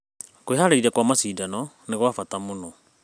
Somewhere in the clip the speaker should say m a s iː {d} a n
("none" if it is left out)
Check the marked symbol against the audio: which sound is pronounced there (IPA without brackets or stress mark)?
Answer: d